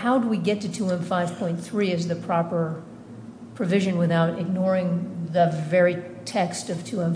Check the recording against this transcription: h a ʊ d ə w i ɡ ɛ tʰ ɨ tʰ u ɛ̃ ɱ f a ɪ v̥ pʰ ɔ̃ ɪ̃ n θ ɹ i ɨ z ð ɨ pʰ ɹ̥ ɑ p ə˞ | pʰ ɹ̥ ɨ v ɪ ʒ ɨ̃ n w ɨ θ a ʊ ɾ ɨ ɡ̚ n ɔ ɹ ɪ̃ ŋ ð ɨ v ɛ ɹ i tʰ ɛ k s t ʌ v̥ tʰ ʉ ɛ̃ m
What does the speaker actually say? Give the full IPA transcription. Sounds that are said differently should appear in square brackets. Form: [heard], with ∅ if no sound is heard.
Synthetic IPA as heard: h a ʊ d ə w i ɡ ɛ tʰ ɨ tʰ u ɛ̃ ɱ f a ɪ v̥ pʰ ɔ̃ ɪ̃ n θ ɹ i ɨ z ð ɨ pʰ ɹ̥ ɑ p ə˞ | pʰ ɹ̥ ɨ v ɪ ʒ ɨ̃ n w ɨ θ a ʊ ɾ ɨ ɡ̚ n ɔ ɹ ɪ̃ ŋ ð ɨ v ɛ ɹ i tʰ ɛ k s t ʌ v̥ tʰ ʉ ɛ̃ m